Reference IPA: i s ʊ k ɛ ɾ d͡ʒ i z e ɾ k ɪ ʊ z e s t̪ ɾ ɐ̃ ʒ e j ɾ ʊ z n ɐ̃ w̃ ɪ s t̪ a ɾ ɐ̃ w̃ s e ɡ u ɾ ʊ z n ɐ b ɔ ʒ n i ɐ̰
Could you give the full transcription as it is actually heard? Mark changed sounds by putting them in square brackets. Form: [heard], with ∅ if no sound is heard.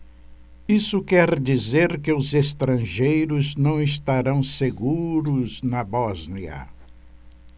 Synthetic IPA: i s ʊ k ɛ ɾ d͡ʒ i z e ɾ k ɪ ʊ z e s t̪ ɾ ɐ̃ ʒ e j ɾ ʊ z n ɐ̃ w̃ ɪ s t̪ a ɾ ɐ̃ w̃ s e ɡ u ɾ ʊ z n ɐ b ɔ [z] n i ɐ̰